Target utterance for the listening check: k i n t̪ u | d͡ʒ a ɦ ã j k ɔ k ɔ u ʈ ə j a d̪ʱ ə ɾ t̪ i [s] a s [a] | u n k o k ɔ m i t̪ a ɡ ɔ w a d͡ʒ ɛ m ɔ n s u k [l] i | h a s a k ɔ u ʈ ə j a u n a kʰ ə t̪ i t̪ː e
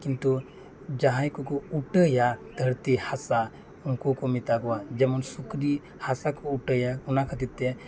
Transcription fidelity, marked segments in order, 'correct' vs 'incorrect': incorrect: h, correct, incorrect: ɾ

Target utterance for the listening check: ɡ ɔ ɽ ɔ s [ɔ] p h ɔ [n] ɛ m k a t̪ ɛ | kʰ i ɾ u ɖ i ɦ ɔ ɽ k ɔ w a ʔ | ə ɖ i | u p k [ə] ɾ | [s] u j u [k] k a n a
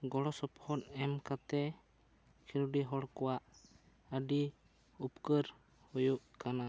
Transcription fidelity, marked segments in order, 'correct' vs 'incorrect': correct, correct, correct, incorrect: h, incorrect: ʔ

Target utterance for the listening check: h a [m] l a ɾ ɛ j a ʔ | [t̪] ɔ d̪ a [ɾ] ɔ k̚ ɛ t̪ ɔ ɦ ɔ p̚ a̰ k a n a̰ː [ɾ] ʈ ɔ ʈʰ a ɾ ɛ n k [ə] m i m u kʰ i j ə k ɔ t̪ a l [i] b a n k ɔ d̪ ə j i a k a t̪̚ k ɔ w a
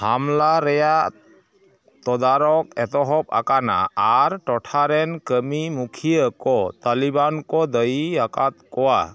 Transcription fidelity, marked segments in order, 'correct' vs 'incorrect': correct, correct, correct, correct, correct, correct

